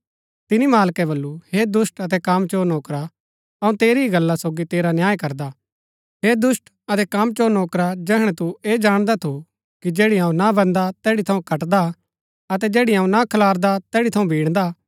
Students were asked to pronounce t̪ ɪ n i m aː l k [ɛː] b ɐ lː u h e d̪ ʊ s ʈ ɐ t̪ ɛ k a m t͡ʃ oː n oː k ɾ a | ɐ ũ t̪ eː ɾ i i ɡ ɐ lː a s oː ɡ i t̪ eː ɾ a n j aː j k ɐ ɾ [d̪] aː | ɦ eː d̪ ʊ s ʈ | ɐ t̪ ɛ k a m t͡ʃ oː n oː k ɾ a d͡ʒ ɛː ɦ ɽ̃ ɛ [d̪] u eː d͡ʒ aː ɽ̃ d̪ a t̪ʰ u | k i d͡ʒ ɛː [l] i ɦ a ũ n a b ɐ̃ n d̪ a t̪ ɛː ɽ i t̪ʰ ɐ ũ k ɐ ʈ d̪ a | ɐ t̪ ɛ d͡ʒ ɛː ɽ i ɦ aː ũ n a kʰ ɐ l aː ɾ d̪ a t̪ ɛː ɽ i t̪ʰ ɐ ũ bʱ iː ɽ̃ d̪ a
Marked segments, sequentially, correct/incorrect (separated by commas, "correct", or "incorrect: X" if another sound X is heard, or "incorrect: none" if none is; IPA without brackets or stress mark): incorrect: ɛ, correct, incorrect: t̪, incorrect: ɽ